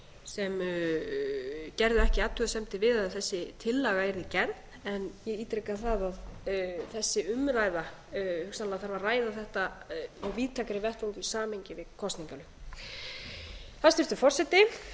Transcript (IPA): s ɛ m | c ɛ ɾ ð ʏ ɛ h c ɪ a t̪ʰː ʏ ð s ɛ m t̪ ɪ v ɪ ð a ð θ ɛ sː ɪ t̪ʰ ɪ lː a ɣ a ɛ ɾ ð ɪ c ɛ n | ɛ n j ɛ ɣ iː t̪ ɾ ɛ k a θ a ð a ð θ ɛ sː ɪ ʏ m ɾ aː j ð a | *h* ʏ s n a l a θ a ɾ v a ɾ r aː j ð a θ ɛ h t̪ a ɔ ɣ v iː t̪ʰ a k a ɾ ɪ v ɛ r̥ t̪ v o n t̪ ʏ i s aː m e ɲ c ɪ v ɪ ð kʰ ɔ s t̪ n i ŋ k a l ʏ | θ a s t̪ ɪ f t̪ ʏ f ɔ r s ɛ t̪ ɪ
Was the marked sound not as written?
no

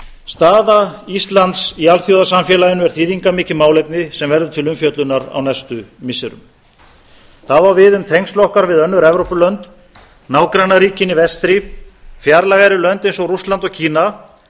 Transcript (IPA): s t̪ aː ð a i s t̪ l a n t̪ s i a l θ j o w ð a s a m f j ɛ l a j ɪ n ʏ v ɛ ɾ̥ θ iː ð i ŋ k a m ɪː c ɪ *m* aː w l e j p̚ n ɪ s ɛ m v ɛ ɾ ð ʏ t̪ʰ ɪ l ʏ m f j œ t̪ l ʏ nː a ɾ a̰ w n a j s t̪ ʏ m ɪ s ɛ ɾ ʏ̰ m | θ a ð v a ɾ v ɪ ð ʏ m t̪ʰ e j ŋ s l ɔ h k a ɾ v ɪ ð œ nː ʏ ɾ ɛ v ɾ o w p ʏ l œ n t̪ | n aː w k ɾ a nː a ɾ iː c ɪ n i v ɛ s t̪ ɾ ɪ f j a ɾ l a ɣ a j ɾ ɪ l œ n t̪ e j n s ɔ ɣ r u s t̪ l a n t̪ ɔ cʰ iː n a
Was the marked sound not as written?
no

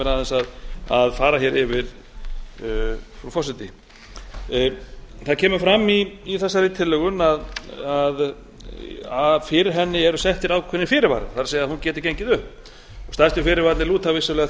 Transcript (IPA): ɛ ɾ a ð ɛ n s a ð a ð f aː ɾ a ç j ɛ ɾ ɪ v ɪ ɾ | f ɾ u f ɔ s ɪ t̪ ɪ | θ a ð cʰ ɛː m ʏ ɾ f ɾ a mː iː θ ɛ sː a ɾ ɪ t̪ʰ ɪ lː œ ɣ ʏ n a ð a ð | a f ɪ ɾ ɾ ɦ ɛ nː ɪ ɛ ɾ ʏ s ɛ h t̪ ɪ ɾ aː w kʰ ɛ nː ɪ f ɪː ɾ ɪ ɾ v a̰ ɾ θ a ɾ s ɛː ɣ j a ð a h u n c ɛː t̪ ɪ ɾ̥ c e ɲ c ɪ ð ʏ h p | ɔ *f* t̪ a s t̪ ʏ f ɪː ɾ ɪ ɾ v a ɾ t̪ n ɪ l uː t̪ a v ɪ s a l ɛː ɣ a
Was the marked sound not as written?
yes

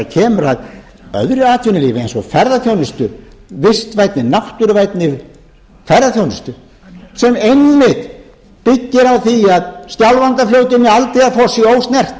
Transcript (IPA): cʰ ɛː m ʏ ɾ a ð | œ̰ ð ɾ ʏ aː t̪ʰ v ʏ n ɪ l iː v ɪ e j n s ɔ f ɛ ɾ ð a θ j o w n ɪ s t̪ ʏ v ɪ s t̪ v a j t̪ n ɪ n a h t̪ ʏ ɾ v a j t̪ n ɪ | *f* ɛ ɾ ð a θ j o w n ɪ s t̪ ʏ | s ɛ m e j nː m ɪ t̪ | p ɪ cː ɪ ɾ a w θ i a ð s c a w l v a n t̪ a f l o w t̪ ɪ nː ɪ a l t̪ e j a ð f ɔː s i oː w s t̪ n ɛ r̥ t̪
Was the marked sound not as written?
no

